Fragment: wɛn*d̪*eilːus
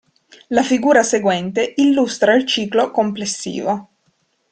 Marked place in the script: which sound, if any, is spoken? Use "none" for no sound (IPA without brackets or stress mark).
t̪